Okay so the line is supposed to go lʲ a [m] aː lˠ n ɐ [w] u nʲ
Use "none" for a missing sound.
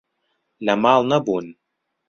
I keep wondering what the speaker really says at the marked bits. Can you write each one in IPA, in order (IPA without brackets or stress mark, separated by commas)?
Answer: m, b